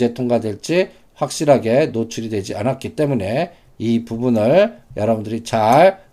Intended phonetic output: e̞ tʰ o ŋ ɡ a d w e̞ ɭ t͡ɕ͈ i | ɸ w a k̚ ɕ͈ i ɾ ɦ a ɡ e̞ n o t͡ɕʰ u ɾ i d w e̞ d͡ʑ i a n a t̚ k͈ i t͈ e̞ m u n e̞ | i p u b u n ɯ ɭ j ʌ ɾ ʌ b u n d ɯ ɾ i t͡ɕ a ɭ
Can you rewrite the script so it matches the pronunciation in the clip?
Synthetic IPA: e̞ tʰ o ŋ ɡ a d w e̞ ɭ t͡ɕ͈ i | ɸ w a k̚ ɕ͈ i ɾ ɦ a ɡ e̞ n o t͡ɕʰ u ɾ i d w e̞ d͡ʑ i a n a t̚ k͈ i t͈ e̞ m u n e̞ | i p u b u n ɯ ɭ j ʌ ɾ ʌ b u n d ɯ ɾ i t͡ɕ a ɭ